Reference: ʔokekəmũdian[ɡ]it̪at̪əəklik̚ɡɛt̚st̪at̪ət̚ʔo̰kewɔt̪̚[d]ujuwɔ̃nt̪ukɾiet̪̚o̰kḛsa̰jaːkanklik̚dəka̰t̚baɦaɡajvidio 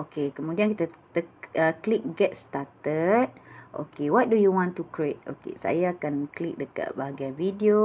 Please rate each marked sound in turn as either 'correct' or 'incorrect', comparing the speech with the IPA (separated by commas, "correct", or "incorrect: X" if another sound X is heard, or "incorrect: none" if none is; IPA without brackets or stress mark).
incorrect: k, correct